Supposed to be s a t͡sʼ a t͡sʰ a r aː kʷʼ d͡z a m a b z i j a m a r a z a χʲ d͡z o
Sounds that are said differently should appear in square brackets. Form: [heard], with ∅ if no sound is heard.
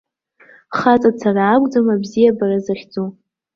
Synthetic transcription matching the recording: [χ] a t͡sʼ a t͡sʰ a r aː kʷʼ d͡z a m a b z i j a [b] a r a z a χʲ d͡z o